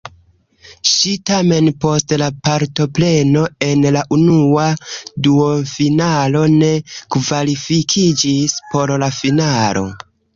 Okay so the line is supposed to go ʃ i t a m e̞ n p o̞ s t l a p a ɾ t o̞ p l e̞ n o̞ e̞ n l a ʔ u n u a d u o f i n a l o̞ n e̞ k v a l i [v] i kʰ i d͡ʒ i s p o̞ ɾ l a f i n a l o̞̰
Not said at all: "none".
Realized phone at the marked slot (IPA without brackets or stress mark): f